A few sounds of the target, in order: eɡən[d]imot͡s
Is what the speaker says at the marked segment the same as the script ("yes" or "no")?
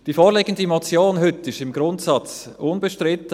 yes